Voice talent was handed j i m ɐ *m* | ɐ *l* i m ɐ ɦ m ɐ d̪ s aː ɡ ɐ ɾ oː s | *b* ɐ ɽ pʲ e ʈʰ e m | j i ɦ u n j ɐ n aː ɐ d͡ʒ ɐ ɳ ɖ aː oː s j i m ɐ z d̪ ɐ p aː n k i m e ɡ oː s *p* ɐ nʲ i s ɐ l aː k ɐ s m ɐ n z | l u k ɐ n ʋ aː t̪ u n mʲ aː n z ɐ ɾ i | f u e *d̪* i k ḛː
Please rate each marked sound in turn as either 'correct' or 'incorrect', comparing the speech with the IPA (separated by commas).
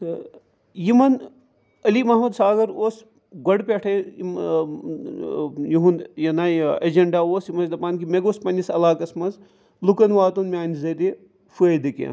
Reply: incorrect, correct, incorrect, correct, correct